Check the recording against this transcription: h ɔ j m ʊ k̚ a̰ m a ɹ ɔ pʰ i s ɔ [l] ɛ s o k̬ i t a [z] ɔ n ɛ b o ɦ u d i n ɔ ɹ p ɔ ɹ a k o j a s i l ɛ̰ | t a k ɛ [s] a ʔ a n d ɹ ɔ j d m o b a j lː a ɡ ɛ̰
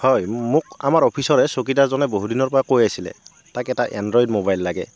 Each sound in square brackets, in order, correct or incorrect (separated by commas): incorrect, correct, incorrect